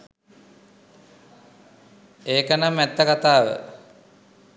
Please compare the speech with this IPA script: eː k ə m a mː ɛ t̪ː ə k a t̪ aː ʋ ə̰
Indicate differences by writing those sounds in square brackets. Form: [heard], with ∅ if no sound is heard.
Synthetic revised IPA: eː k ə [n] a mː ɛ t̪ː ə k a t̪ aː ʋ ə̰